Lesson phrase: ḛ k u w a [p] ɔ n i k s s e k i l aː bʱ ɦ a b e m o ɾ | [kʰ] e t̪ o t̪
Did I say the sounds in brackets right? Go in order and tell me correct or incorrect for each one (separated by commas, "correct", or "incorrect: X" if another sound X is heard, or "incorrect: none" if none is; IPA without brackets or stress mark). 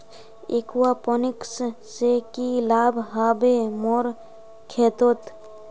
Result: correct, correct